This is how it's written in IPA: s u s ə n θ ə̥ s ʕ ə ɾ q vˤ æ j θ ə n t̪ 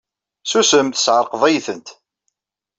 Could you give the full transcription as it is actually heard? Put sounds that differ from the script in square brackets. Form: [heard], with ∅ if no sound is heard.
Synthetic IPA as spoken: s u s ə [m] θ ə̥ s ʕ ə ɾ q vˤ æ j θ ə n t̪